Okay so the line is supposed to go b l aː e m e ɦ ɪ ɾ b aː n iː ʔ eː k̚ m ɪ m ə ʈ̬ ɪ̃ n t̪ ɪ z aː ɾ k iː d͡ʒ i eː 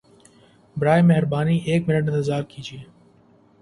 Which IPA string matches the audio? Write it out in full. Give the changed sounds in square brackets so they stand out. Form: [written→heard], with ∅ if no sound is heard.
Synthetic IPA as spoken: b [l→ɾ] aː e m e ɦ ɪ ɾ b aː n iː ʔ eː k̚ m ɪ [m→n] ə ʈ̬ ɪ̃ n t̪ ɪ z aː ɾ k iː d͡ʒ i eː